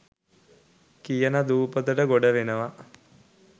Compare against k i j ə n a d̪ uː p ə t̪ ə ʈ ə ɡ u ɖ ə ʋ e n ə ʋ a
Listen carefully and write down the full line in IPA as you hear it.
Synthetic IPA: k i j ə n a d̪ uː p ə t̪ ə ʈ ə ɡ o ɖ ə ʋ e n ə ʋ a